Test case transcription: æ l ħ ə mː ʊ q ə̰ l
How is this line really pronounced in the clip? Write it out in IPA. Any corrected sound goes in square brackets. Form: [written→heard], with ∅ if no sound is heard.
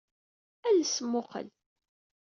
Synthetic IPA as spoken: æ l [ħ→s] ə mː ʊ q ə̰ l